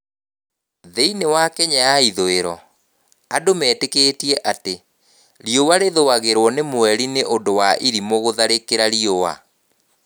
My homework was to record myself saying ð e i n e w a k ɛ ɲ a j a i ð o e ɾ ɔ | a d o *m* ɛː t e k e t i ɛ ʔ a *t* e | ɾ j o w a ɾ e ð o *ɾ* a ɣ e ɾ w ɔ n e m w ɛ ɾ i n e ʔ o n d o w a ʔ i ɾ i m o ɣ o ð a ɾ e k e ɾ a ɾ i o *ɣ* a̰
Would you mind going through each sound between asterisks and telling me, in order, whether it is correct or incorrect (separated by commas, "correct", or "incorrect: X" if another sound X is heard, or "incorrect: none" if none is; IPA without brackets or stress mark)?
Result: correct, correct, incorrect: none, incorrect: w